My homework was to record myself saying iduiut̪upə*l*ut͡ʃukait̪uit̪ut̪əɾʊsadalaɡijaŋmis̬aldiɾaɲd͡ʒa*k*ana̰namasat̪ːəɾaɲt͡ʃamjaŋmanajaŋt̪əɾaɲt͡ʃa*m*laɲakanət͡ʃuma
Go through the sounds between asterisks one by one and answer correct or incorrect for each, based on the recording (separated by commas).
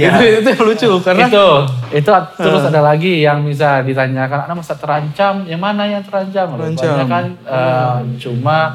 correct, correct, correct